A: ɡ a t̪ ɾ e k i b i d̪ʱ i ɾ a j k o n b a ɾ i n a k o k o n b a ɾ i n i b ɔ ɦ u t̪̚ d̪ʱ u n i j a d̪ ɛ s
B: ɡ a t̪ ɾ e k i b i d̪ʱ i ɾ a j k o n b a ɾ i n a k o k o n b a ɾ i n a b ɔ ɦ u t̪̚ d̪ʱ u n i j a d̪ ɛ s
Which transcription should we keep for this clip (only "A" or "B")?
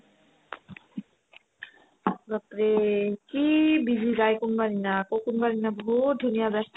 B